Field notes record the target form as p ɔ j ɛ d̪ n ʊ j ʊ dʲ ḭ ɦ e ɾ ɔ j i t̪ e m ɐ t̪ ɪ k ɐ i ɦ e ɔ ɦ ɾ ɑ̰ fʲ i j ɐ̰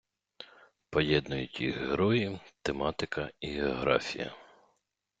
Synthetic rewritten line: p ɔ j ɛ d̪ n ʊ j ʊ tʲ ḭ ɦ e ɾ ɔ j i t̪ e m ɑ t̪ ɪ k ɐ i ɦ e ɔ ɦ ɾ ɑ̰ fʲ i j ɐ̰